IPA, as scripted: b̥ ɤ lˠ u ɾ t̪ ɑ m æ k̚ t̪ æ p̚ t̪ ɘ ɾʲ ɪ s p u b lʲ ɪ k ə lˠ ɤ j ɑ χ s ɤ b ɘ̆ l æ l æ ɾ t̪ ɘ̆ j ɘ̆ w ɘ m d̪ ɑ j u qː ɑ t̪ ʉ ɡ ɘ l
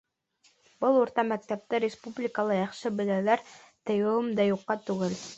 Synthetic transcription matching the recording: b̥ ɤ lˠ u ɾ t̪ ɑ m æ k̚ t̪ æ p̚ t̪ ɘ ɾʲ ɪ s p u b lʲ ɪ k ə lˠ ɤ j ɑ χ ʃ ɤ b ɘ̆ l æ l æ ɾ t̪ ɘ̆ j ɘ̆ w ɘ m d̪ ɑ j u qː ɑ t̪ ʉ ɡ ɘ l